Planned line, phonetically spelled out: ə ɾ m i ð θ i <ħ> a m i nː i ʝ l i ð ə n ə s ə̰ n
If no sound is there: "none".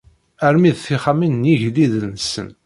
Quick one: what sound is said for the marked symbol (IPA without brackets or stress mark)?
χ